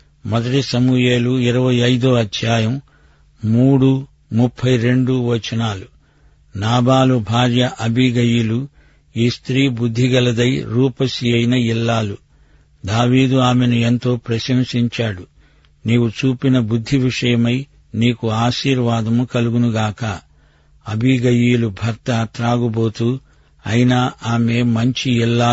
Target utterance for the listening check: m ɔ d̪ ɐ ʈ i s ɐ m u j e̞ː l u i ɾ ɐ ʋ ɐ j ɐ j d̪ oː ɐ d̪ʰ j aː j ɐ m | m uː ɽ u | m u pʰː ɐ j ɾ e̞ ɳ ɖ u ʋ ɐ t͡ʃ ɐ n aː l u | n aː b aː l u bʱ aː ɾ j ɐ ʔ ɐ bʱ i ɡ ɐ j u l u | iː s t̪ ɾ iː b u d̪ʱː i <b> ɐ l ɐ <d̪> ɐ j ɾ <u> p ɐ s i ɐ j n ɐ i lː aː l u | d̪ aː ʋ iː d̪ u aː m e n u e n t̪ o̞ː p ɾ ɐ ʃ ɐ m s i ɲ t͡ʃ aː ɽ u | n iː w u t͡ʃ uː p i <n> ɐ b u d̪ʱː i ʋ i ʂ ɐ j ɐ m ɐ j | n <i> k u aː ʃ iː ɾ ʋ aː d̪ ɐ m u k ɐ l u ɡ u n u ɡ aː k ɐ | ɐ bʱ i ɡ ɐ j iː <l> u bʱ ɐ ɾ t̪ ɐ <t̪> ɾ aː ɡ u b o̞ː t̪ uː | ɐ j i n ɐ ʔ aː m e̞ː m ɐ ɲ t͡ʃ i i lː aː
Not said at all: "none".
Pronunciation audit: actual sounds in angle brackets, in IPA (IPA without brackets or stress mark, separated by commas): ɡ, d̪, uː, n, iː, l, t̪